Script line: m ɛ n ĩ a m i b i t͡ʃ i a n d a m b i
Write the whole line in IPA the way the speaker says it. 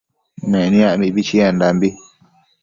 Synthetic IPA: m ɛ n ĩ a m i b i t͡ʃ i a n d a m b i